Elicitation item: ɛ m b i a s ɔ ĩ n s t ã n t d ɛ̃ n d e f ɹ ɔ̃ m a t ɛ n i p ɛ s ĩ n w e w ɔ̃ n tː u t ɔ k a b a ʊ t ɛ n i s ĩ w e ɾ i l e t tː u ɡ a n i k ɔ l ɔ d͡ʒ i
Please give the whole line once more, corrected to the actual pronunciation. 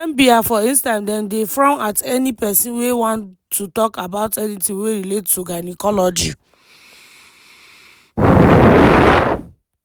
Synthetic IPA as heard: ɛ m b i a f ɔ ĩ n s t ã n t d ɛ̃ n d e f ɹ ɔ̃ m a t ɛ n i p ɛ s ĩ n w e w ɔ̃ n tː u t ɔ k a b a ʊ t ɛ n i t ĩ w e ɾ i l e t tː u ɡ a n i k ɔ l ɔ d͡ʒ i

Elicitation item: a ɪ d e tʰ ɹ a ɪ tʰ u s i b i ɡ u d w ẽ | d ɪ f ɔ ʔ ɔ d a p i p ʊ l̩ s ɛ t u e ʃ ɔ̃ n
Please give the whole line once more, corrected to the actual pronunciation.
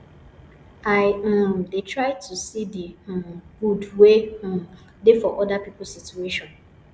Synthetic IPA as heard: a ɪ d e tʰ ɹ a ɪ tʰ u s i d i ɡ u d w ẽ | d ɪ f ɔ ʔ ɔ d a p i p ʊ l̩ s i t u e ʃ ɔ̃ n

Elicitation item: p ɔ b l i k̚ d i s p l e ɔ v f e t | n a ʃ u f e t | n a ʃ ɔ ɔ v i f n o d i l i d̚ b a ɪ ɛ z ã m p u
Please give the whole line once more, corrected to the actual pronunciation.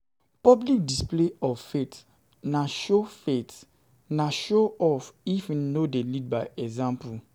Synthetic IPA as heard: p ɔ b l i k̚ d i s p l e ɔ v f e t | n a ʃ o f e t | n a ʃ o ɔ f i f n o d e l i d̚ b a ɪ ɛ z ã m p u

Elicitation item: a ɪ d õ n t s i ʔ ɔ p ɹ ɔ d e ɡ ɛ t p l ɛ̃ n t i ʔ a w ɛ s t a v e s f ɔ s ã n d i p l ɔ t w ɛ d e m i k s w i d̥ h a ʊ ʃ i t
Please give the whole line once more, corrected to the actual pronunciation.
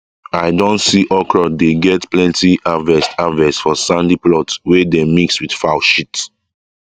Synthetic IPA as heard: a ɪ d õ n t s i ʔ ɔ k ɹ ɔ d e ɡ ɛ t p l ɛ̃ n t i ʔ a v ɛ s t a v ɛ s f ɔ s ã n d i p l ɔ t w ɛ d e m i k s w i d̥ f a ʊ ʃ i t

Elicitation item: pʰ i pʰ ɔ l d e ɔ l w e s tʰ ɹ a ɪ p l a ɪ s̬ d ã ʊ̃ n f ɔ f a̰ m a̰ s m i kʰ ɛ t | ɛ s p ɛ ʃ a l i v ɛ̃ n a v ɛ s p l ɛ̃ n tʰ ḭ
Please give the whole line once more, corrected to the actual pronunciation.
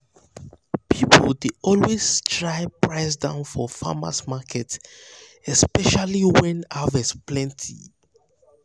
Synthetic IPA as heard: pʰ i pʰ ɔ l d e ɔ l w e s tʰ ɹ a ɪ p ɹ a ɪ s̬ d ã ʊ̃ n f ɔ f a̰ m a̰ s m a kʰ ɛ t | ɛ s p ɛ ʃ a l i w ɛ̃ n a v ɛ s p l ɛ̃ n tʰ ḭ

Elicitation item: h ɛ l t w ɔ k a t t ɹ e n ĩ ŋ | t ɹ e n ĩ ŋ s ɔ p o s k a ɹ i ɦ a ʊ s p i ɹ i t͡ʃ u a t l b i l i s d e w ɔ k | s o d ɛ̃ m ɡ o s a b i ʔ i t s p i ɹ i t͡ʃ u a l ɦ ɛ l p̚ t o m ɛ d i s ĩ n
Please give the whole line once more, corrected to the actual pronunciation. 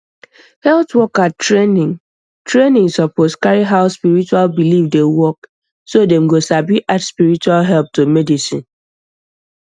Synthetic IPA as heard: h ɛ l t w ɔ k a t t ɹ e n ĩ ŋ | t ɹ e n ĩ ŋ s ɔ p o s k a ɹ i ɦ a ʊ s p i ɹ i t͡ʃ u a l b i l i f d e w ɔ k | s o d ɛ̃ m ɡ o s a b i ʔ a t s p i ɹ i t͡ʃ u a l ɦ ɛ l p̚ t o m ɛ d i s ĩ n

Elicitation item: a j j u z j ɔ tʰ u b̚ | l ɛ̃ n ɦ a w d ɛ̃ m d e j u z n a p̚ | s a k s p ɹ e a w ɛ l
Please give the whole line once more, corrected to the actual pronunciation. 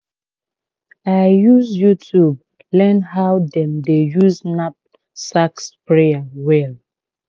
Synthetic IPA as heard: a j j u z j u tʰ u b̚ | l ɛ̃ n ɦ a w d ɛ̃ m d e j u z n a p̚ | s a k s p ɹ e a w ɛ l

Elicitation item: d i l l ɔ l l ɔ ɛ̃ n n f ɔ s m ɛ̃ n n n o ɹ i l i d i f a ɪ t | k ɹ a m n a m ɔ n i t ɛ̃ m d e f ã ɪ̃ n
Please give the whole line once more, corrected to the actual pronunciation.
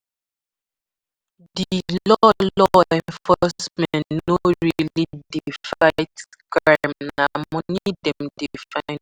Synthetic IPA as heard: d i l l ɔ l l ɔ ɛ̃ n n f ɔ s m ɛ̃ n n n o ɹ i l i d i f a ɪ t | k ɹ a m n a m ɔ n i d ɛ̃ m d i f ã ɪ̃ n

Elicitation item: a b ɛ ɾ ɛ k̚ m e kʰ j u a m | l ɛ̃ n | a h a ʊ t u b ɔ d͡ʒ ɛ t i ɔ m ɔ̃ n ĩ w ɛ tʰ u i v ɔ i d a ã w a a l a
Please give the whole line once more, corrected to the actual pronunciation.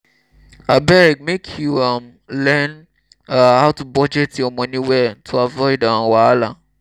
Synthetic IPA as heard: a b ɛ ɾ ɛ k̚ m e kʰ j u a m | l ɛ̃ n | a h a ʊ t u b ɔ d͡ʒ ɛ t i ɔ m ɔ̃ n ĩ w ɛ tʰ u a v ɔ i d a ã w a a l a

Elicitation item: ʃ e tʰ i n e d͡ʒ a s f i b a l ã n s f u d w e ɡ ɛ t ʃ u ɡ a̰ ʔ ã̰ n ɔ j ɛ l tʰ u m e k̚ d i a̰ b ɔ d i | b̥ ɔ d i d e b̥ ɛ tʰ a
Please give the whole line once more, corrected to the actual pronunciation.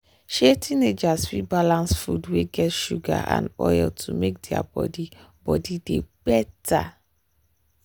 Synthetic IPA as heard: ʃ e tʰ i n e d͡ʒ a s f i b a l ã n s f u d w e ɡ ɛ t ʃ u ɡ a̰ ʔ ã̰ n ɔ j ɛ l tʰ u m e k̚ d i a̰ b ɔ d i | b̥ ɔ d i d e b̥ ɛ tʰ a

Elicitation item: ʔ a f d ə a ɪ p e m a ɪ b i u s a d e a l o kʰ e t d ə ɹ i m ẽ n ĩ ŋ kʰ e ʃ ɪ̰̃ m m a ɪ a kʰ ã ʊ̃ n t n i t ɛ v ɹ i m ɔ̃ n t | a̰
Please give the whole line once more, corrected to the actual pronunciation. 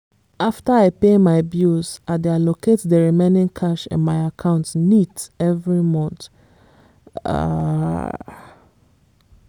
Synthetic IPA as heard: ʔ a f t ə a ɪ p e m a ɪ b j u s a d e a l o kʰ e t d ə ɹ i m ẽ n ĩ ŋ kʰ a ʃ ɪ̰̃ n m a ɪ a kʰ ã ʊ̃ n t n i t ɛ v ɹ i m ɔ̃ n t | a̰

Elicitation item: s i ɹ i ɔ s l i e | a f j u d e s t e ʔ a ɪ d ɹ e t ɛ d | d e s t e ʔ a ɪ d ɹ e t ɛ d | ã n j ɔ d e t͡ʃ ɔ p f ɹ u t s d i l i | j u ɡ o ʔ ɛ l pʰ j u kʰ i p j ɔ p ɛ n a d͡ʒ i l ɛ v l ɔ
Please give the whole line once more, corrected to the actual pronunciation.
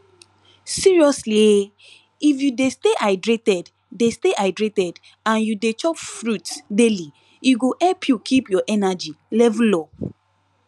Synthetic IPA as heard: s i ɹ i ɔ s l i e | i f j u d e s t e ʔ a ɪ d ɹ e t ɛ d | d e s t e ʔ a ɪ d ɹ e t ɛ d | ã n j u d e t͡ʃ ɔ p f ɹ u t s d e l i | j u ɡ o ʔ ɛ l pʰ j u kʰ i p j ɔ ʔ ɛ n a d͡ʒ i l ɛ v l ɔ

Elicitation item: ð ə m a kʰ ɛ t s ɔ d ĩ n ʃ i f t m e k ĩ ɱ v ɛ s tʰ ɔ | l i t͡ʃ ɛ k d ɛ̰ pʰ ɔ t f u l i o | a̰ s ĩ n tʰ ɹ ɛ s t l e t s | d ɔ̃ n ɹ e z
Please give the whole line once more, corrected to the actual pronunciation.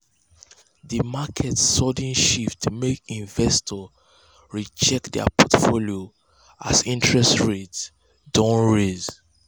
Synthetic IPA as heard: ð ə m a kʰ ɛ t s ɔ d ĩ n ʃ i f t m e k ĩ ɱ v ɛ s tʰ ɔ | ɹ i t͡ʃ ɛ k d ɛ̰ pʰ ɔ t f o l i o | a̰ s ĩ n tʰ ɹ ɛ s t ɹ e t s | d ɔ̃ n ɹ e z

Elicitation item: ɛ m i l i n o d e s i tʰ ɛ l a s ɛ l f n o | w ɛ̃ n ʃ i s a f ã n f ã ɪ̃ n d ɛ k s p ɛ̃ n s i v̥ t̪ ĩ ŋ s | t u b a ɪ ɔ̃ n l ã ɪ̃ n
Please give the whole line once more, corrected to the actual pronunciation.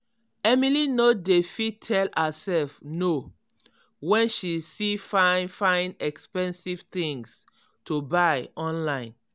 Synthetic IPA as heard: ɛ m i l i n o d e f i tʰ ɛ l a s ɛ l f n o | w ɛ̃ n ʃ i s i f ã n f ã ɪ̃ n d ɛ k s p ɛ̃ n s i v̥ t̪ ĩ ŋ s | t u b a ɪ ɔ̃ n l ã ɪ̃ n

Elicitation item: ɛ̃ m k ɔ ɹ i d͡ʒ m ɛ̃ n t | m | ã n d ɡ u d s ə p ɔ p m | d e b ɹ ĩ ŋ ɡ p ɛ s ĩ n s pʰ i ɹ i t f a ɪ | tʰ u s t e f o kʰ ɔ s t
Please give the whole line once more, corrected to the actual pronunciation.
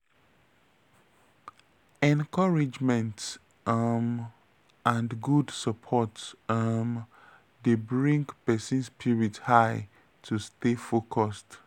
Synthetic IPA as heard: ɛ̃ n k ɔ ɹ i d͡ʒ m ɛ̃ n t | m | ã n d ɡ u d s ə pʰ ɔ t m | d e b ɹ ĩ ŋ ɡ p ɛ s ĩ n s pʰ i ɹ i t h a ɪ | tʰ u s t e f o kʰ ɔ s t

